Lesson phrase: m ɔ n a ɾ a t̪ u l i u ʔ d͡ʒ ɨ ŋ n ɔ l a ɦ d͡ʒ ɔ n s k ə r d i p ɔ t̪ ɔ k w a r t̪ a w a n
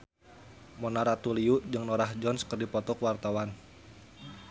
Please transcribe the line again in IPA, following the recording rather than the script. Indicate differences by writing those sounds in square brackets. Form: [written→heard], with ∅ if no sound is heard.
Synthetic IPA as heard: m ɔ n a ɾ a t̪ u l i u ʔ d͡ʒ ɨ ŋ n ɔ [l→ɾ] a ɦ d͡ʒ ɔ n s k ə r d i p ɔ t̪ ɔ k w a r t̪ a w a n